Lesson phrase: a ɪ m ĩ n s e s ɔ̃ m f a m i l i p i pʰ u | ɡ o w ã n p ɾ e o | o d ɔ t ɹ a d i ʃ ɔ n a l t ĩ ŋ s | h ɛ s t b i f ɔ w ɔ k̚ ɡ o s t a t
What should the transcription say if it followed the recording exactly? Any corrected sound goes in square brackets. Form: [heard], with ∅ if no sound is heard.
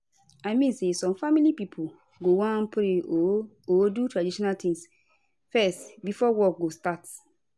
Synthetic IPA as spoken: a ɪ m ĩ n s e s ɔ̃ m f a m i l i p i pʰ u | ɡ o w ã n p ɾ e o | o d [u] t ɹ a d i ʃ ɔ n a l t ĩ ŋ s | [f] ɛ s t b i f ɔ w ɔ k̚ ɡ o s t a t